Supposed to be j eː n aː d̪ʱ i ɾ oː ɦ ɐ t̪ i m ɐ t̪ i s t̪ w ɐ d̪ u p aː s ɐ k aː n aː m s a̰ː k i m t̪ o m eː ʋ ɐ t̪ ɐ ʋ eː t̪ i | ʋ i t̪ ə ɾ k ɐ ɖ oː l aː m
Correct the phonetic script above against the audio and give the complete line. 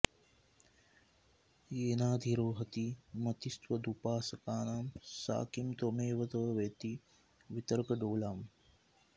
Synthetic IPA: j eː n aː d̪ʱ i ɾ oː ɦ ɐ t̪ i m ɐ t̪ i s t̪ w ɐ d̪ u p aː s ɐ k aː n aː m s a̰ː k i m t̪ o m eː ʋ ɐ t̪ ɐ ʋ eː t̪ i | ʋ i t̪ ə ɾ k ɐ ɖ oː l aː m

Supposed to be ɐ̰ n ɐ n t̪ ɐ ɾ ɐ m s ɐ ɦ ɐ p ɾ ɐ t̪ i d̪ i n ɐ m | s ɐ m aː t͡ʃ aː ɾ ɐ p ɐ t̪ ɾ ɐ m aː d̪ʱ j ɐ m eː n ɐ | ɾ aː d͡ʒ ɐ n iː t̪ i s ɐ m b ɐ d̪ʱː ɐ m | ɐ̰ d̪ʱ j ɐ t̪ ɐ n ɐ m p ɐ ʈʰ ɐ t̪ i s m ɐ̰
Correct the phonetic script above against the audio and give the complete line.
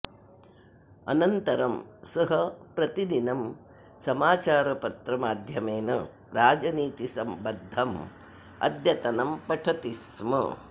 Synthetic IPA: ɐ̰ n ɐ n t̪ ɐ ɾ ɐ m s ɐ ɦ ɐ p ɾ ɐ t̪ i d̪ i n ɐ m | s ɐ m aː t͡ʃ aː ɾ ɐ p ɐ t̪ ɾ ɐ m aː d̪ʱ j ɐ m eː n ɐ | ɾ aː d͡ʒ ɐ n iː t̪ i s ɐ m b ɐ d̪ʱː ɐ m | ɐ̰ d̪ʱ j ɐ t̪ ɐ n ɐ m p ɐ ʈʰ ɐ t̪ i s m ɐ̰

